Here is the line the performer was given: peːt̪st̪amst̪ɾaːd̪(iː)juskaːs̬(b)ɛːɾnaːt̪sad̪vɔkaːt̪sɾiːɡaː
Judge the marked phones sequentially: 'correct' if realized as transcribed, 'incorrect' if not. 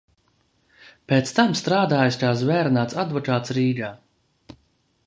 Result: incorrect: aː, incorrect: v

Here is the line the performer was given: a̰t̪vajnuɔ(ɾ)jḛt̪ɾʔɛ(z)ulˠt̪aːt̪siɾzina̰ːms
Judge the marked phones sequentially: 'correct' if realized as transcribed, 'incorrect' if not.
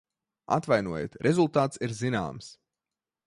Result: incorrect: none, correct

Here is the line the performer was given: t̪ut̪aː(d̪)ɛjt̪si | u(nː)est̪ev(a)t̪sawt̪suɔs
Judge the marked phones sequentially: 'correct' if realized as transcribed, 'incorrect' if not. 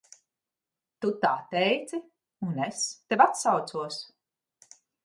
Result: incorrect: t̪, incorrect: n, correct

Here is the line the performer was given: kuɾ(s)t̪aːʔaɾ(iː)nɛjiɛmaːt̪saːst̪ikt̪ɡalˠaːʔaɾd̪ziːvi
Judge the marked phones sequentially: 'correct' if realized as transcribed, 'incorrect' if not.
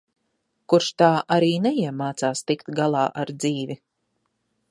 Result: incorrect: ʃ, correct

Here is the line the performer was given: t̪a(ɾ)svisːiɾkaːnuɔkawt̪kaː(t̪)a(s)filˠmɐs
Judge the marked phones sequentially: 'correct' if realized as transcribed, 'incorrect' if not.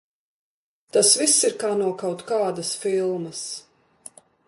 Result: incorrect: none, incorrect: d̪, correct

